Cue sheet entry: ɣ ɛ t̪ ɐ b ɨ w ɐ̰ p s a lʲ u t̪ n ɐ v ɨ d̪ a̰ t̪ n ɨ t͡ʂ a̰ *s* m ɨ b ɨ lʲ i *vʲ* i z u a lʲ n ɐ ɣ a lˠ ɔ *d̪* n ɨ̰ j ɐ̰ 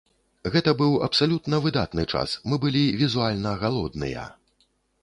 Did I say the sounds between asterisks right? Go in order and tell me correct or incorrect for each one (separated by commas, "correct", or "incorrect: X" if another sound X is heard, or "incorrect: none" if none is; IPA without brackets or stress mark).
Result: correct, correct, correct